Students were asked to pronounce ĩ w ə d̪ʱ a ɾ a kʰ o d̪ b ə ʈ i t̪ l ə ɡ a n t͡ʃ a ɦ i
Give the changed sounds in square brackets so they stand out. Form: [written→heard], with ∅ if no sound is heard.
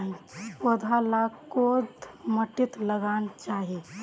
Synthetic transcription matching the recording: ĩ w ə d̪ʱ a [ɾ→l] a [kʰ→k] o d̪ [b→m] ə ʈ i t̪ l ə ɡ a n t͡ʃ a ɦ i